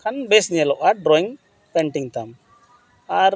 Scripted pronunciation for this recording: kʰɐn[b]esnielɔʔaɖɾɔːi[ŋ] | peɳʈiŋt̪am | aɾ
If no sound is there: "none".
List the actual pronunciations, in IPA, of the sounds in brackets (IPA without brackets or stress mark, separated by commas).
b, ŋ